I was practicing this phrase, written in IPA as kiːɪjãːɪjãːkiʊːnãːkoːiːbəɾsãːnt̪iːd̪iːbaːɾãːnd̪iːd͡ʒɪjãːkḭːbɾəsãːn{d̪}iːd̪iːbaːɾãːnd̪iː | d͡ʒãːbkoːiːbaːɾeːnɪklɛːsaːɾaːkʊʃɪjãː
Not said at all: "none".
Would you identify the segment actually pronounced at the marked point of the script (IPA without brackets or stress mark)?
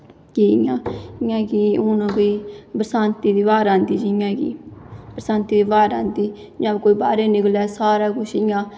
t̪